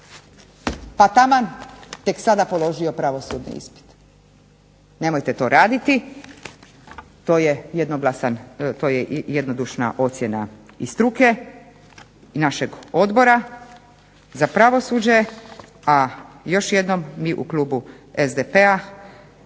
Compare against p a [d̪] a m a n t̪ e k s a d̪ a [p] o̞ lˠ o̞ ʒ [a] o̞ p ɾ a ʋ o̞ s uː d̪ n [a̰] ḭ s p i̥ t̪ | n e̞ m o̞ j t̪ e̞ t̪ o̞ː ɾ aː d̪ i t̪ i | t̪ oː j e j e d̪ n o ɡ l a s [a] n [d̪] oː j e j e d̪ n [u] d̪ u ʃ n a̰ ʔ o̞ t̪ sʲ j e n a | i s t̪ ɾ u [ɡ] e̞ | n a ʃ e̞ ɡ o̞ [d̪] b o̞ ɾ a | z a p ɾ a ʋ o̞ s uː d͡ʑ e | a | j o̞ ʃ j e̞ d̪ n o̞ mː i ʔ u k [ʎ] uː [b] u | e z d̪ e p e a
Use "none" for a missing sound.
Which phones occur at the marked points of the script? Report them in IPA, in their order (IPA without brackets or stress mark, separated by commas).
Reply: t̪, p, i, ḭ, a, t̪, o, k, d̪, l, b